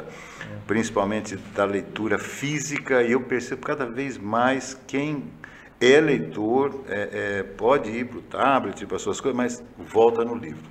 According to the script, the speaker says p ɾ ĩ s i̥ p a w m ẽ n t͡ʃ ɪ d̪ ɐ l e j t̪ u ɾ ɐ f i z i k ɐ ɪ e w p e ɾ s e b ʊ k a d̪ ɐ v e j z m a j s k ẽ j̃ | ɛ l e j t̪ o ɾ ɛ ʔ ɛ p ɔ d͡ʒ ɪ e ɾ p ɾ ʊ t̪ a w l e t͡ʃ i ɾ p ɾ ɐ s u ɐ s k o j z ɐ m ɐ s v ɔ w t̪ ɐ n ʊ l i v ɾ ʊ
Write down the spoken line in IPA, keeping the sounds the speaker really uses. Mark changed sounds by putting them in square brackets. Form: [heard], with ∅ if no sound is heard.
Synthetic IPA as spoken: p ɾ ĩ s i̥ p a w m ẽ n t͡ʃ ɪ d̪ ɐ l e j t̪ u ɾ ɐ f i z i k ɐ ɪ e w p e ɾ s e b ʊ k a d̪ ɐ v e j z m a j s k ẽ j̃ | ɛ l e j t̪ o ɾ ɛ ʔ ɛ p ɔ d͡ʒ ɪ [i] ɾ p ɾ ʊ t̪ a [b] l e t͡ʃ i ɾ p ɾ ɐ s u ɐ s k o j z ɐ m ɐ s v ɔ w t̪ ɐ n ʊ l i v ɾ ʊ